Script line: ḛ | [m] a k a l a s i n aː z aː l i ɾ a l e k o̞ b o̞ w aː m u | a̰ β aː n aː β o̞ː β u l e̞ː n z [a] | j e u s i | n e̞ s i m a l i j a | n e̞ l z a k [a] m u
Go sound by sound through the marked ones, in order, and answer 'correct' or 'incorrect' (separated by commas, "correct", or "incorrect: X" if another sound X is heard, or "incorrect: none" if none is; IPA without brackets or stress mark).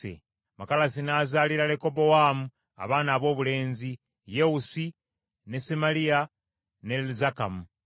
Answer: correct, incorrect: i, correct